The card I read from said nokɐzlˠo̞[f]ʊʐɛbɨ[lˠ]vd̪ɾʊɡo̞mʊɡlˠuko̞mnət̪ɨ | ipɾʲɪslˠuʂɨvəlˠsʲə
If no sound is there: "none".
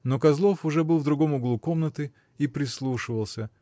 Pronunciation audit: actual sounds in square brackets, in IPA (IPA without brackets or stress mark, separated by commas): f, lˠ